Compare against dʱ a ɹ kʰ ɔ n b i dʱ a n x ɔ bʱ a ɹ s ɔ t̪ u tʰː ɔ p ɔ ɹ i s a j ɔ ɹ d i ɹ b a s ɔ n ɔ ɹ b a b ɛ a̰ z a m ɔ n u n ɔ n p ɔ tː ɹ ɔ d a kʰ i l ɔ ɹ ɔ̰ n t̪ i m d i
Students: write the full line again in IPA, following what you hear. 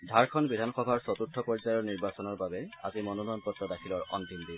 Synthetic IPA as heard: dʱ a ɹ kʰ ɔ n b i dʱ a n x ɔ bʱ a ɹ s ɔ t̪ u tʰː ɔ p ɔ ɹ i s a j ɔ ɹ n i ɹ b a s ɔ n ɔ ɹ b a b ɛ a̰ z i m ɔ n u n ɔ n p ɔ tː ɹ ɔ d a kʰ i l ɔ ɹ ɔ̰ n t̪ i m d i